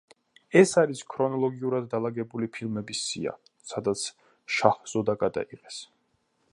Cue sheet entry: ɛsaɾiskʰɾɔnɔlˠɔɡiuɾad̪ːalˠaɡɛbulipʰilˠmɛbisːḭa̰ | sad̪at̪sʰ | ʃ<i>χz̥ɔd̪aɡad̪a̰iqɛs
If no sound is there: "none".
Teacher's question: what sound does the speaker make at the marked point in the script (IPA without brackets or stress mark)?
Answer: a